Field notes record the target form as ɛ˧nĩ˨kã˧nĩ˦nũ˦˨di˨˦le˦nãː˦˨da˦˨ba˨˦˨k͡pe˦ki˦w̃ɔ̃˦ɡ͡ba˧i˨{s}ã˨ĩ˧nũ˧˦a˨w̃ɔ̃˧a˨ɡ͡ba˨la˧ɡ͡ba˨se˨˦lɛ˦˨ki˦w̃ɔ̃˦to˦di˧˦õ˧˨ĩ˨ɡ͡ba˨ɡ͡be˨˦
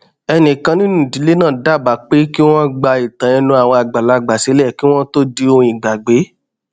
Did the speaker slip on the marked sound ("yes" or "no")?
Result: yes